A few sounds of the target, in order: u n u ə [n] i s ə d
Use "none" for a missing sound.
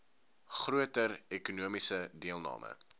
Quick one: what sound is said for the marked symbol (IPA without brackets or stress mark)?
m